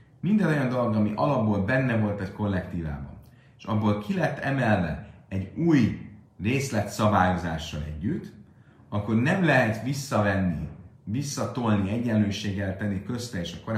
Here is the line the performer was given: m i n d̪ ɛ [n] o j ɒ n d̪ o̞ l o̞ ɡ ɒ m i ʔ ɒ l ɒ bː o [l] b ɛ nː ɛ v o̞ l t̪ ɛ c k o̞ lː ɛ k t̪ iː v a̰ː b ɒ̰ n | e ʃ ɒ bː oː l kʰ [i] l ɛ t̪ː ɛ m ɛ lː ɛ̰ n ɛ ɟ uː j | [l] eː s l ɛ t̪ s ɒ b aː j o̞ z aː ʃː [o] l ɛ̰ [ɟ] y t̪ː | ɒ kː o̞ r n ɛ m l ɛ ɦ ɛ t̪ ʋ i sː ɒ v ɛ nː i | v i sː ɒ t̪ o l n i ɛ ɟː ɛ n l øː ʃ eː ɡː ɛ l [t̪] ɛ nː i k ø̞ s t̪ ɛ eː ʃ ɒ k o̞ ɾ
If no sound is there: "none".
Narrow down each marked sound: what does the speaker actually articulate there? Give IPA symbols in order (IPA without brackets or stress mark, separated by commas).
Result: n, l, i, r, ɒ, ɟː, t̪